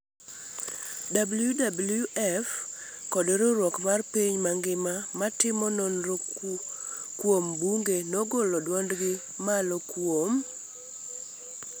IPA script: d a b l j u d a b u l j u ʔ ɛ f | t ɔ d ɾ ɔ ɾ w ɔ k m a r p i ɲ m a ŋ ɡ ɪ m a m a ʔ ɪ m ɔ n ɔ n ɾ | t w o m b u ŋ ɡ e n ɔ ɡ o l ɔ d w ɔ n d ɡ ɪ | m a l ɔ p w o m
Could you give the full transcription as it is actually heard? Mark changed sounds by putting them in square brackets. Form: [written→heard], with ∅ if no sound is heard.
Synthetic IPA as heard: d a b l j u d a b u l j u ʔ ɛ f | [t→k] ɔ d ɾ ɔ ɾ w ɔ k m a r p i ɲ m a ŋ ɡ ɪ m a m a [ʔ→t] ɪ m ɔ n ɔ n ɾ | [t→k] w o m b u ŋ ɡ e n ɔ ɡ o l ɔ d w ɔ n d ɡ ɪ | m a l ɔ [p→k] w o m

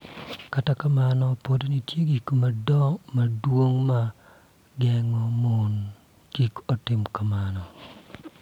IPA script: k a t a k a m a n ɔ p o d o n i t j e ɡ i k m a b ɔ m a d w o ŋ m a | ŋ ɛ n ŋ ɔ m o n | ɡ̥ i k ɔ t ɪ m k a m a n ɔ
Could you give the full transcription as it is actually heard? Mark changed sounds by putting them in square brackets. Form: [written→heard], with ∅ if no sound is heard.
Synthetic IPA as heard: k a t a k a m a n ɔ p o d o n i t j e ɡ i k m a [b→d] ɔ m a d w o ŋ m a | [ŋ→ɡ] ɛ [n→∅] ŋ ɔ m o n | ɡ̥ i k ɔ t ɪ m k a m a n ɔ

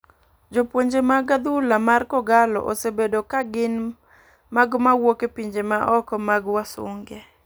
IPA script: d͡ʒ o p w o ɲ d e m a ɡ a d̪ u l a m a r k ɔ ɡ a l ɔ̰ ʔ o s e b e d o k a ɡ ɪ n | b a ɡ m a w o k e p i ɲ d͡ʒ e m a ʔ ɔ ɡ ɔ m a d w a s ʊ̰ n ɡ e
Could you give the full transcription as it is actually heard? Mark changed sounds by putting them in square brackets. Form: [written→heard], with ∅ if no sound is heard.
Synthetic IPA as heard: d͡ʒ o p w o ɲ [d→d͡ʒ] e m a ɡ a d̪ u l a m a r k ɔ ɡ a l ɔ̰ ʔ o s e b e d o k a ɡ ɪ n | [b→m] a ɡ m a w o k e p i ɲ d͡ʒ e m a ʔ ɔ [ɡ→k] ɔ m a [d→ɡ] w a s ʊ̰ [n→ŋ] ɡ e

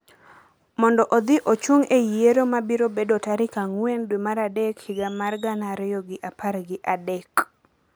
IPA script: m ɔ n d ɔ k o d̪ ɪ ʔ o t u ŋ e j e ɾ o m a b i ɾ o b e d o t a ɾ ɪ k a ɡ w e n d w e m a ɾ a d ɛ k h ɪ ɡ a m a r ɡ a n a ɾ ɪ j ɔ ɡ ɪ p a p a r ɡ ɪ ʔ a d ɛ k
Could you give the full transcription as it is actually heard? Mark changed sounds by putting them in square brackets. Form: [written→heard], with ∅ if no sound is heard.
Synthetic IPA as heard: m ɔ n d ɔ [k→ʔ] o d̪ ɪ ʔ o [t→t͡ʃ] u ŋ e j e ɾ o m a b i ɾ o b e d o t a ɾ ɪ k a [ɡ→ŋ] w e n d w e m a ɾ a d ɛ k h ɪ ɡ a m a r ɡ a n a ɾ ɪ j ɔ ɡ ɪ [p→ʔ] a p a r ɡ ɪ ʔ a d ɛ k

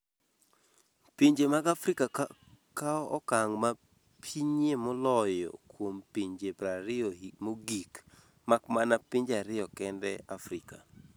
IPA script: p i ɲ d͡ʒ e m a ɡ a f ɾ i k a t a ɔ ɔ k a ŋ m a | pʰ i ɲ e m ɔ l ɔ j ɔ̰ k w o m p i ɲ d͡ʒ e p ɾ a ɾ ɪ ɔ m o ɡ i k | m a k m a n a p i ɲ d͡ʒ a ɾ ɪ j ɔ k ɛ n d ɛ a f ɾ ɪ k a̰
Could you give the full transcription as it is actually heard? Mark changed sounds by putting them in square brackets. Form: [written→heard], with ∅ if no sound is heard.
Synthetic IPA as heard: p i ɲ d͡ʒ e m a ɡ a f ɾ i k a [t→k] a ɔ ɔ k a ŋ m a | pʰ i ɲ e m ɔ l ɔ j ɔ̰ k w o m p i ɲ d͡ʒ e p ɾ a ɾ ɪ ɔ m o ɡ i k | m a k m a n a p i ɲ d͡ʒ a ɾ ɪ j ɔ k ɛ n d ɛ a f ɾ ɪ k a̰

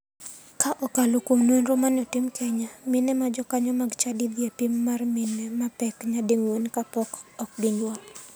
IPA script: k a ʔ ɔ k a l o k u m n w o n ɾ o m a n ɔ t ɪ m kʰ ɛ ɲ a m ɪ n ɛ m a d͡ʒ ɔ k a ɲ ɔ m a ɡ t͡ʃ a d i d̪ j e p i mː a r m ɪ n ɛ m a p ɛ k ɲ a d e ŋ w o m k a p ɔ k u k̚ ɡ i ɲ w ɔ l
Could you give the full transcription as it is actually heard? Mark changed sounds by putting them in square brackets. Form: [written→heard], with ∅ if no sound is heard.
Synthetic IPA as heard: k a ʔ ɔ k a l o k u m n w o n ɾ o m a n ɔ t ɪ m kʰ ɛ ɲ a m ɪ n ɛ m a d͡ʒ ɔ k a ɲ ɔ m a ɡ t͡ʃ a d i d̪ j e p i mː a r m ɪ n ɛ m a p ɛ k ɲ a d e ŋ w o [m→n] k a p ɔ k [u→ɔ] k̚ ɡ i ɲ w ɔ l

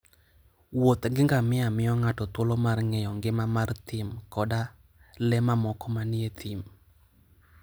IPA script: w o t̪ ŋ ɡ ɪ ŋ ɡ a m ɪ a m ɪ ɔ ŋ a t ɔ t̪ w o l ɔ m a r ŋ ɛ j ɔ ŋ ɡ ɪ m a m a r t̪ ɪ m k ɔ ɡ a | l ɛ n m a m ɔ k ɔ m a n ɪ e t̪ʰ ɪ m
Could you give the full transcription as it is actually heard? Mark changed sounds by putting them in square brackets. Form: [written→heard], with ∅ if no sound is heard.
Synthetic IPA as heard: w o t̪ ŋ ɡ ɪ ŋ ɡ a m ɪ a m ɪ ɔ ŋ a t ɔ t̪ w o l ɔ m a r ŋ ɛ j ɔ ŋ ɡ ɪ m a m a r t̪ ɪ m k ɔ [ɡ→d] a | l ɛ [n→∅] m a m ɔ k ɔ m a n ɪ e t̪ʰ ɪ m

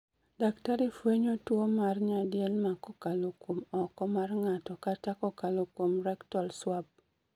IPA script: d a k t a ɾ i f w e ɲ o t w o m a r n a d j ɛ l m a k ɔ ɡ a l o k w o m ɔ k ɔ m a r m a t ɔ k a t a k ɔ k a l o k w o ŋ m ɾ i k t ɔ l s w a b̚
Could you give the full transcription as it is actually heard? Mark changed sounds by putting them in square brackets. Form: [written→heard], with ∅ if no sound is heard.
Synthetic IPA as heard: d a k t a ɾ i f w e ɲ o t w o m a r [n→ɲ] a d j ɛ l m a k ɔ [ɡ→k] a l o k w o m ɔ k ɔ m a r [m→ŋ] a t ɔ k a t a k ɔ k a l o k w o [ŋ→∅] m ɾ [i→ɛ] k t ɔ l s w a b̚

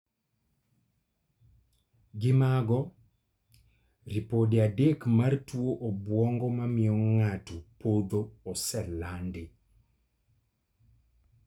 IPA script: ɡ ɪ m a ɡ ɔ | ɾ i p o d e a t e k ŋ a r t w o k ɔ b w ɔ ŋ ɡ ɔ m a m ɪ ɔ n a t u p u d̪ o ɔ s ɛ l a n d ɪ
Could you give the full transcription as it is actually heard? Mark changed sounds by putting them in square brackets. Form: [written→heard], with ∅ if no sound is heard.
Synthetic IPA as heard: ɡ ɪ m a ɡ ɔ | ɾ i p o d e a [t→d] e k [ŋ→m] a r t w o [k→ʔ] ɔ b w ɔ ŋ ɡ ɔ m a m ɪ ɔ [n→ŋ] a t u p [u→o] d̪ o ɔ s ɛ l a n d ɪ

